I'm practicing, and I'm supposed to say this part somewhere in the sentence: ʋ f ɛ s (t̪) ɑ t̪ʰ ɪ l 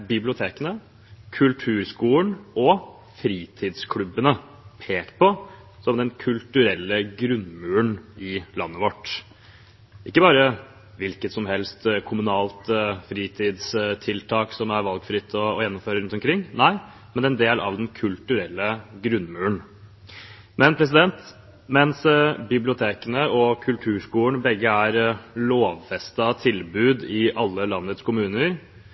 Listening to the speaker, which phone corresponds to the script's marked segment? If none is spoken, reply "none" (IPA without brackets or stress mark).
t̪